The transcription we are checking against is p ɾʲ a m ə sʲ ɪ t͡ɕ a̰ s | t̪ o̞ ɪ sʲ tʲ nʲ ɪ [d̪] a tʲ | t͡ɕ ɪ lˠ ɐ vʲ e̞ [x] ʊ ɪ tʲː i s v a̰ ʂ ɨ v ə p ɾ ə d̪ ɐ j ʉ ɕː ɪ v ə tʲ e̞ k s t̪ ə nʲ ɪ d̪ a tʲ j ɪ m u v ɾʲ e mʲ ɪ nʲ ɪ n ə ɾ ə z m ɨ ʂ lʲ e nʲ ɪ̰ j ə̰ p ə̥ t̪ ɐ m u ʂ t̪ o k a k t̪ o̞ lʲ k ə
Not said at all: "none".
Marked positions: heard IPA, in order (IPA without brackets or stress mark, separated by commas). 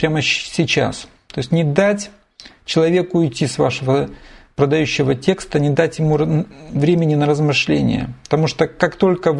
d̪, k